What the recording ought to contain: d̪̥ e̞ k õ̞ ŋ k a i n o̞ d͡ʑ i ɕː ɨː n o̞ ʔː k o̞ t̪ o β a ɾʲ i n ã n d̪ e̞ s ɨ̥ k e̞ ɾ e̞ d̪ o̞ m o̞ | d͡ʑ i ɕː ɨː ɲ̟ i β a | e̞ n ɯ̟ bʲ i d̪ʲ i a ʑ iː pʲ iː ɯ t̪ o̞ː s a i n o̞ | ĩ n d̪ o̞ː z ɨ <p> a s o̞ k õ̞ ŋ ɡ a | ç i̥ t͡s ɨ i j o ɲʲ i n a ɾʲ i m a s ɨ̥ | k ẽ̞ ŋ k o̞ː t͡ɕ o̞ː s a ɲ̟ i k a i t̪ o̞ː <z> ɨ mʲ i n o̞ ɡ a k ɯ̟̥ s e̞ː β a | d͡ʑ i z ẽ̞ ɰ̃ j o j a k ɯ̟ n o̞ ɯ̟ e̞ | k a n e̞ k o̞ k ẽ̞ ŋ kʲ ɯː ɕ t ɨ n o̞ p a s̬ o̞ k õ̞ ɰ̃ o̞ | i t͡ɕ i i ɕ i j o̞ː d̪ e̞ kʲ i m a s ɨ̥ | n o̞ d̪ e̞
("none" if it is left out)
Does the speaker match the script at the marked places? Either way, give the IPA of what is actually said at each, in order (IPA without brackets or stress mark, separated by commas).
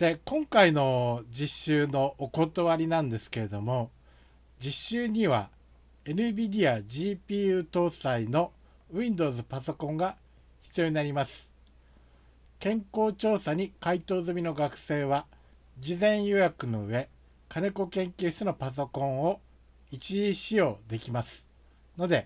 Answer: p, z